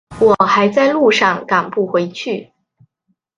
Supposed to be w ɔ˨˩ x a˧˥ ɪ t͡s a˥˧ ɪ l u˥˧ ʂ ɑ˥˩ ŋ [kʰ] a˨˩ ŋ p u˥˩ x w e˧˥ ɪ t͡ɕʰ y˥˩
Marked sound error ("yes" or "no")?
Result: yes